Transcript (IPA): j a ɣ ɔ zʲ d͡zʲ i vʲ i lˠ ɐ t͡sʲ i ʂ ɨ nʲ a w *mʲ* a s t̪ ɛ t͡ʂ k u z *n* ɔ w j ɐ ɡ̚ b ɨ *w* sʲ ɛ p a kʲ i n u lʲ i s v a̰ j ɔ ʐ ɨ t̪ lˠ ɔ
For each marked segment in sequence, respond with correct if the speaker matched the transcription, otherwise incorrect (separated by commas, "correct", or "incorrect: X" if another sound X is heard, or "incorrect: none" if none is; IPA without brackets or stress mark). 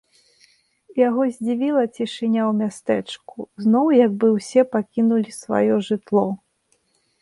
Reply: correct, correct, correct